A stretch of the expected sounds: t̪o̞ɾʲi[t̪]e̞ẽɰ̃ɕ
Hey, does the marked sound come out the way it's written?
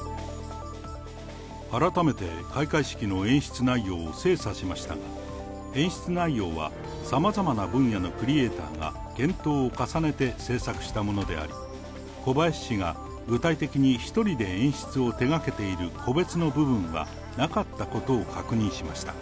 no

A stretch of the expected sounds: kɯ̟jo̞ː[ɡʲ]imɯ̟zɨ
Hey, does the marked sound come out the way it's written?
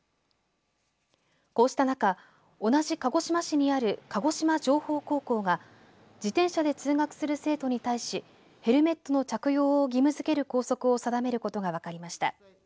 yes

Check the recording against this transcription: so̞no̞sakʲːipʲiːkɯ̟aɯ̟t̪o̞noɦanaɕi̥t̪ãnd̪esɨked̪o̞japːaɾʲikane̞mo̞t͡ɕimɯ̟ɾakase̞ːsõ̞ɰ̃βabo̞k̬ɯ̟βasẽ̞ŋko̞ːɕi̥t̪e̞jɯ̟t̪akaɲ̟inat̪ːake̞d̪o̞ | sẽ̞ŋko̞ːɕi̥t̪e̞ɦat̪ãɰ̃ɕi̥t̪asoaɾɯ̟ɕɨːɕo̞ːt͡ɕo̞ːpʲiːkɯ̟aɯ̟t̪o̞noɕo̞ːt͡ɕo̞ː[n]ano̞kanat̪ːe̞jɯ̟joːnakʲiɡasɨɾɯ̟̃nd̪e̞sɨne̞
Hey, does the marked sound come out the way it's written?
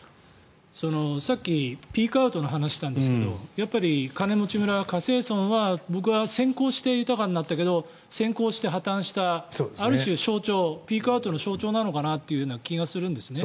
yes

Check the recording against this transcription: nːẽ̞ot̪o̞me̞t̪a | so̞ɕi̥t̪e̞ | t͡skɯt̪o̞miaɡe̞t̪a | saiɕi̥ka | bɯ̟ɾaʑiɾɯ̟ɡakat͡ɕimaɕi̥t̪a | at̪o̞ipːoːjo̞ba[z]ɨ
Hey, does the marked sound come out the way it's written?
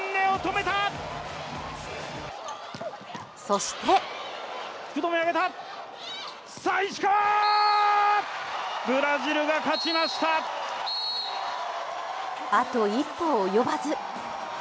yes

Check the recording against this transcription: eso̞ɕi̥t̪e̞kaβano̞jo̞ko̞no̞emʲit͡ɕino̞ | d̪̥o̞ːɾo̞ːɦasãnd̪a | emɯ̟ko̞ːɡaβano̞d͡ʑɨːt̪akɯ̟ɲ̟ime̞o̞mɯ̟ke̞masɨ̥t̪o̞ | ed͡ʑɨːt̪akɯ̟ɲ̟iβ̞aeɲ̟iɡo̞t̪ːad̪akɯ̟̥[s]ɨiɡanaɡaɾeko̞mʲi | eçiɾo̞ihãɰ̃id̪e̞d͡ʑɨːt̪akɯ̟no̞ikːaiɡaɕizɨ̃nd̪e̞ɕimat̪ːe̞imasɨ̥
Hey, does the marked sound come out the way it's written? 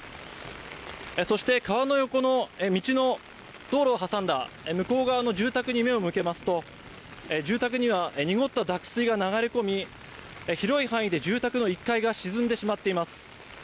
yes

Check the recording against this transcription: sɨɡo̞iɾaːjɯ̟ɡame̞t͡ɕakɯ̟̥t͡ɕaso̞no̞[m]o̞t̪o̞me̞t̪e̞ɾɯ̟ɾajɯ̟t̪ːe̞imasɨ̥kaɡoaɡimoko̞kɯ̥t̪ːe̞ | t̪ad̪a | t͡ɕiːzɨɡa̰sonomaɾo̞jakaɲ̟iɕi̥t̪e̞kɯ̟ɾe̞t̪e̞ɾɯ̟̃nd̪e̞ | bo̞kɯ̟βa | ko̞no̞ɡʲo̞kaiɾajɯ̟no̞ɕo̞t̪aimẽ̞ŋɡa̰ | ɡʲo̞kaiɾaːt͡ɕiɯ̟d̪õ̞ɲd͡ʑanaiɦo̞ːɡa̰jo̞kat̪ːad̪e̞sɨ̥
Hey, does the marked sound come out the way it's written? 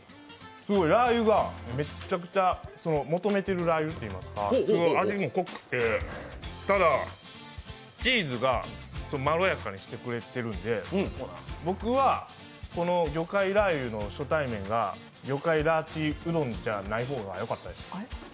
yes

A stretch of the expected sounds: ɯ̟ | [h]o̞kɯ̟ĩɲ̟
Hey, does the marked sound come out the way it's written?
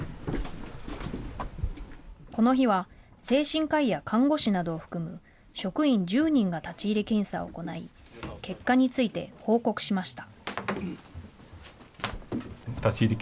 no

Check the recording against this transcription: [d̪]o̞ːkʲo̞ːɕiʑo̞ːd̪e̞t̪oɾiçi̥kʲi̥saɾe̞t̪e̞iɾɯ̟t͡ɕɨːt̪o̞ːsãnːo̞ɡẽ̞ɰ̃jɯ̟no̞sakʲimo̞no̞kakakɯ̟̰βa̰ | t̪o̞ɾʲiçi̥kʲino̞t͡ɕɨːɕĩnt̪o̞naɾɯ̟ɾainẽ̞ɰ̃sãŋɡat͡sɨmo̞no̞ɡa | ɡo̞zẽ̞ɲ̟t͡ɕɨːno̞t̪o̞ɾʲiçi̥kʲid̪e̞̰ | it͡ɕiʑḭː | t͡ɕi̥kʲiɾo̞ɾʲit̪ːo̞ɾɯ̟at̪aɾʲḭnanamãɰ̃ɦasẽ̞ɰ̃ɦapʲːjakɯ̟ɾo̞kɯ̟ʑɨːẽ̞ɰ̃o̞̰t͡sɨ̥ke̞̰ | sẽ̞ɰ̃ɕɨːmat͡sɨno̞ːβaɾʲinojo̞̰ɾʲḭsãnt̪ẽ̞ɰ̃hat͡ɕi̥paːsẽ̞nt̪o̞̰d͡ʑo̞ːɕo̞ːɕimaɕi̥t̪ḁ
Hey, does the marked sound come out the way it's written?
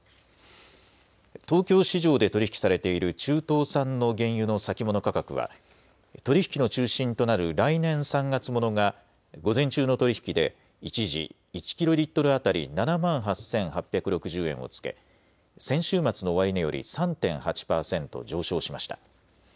no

